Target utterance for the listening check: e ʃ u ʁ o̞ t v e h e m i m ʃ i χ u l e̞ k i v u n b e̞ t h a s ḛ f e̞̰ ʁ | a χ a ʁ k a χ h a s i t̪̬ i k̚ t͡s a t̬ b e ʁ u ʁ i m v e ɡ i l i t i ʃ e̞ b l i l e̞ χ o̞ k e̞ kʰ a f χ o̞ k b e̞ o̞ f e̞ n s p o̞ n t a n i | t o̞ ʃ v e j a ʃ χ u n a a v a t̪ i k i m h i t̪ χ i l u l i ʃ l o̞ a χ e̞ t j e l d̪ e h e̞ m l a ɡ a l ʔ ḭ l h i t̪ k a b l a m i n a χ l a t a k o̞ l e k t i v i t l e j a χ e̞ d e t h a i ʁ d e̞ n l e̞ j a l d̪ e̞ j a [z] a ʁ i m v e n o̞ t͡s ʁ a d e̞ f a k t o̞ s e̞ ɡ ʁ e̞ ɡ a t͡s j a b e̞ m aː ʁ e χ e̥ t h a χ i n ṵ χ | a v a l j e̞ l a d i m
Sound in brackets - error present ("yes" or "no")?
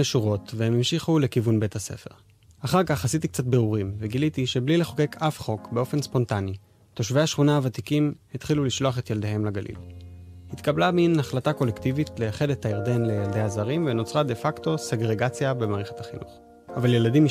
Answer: no